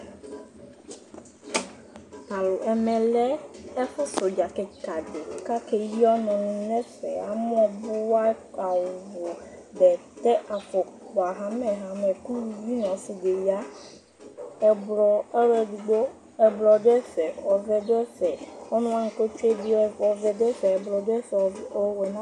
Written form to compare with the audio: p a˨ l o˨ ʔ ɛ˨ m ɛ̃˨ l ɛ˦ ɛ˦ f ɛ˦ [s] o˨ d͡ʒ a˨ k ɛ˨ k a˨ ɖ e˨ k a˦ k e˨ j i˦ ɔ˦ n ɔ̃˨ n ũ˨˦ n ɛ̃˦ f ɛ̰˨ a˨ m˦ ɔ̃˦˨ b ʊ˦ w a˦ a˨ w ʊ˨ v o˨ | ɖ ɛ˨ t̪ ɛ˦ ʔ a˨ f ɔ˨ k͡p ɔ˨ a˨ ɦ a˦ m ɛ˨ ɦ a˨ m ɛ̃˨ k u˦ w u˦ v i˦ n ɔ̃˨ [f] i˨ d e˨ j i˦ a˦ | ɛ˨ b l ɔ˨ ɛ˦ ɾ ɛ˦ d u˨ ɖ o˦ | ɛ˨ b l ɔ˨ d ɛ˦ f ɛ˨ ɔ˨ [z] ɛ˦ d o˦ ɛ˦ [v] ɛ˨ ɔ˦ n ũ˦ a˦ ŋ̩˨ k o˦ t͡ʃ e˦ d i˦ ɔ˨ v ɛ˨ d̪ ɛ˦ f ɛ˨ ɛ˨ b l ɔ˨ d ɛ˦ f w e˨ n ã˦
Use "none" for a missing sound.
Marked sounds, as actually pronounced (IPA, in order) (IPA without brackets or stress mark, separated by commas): s, s, v, f